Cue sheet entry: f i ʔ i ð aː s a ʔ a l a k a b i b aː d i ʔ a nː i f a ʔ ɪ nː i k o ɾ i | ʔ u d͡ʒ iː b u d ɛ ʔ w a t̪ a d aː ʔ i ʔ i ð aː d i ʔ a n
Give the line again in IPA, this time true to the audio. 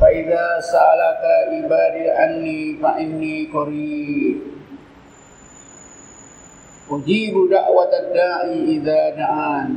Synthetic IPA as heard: f a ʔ i ð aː s a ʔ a l a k a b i b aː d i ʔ a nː i f a ʔ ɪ nː i k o ɾ i | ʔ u d͡ʒ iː b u d a ʔ w a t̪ a d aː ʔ i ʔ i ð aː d a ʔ a n